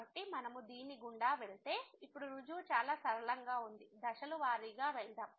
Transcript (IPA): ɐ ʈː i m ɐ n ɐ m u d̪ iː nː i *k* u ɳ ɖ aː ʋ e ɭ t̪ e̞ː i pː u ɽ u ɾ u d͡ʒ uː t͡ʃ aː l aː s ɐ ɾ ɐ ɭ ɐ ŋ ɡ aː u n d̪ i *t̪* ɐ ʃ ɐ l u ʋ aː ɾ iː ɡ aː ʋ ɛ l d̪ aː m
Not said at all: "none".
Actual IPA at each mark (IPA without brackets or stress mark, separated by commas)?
ɡ, d̪